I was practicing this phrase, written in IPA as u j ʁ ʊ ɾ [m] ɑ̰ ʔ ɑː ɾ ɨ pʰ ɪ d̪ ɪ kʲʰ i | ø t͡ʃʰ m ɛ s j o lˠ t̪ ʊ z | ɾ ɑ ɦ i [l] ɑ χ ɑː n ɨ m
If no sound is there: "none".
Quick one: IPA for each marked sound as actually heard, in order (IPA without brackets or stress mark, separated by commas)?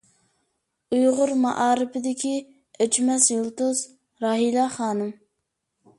m, l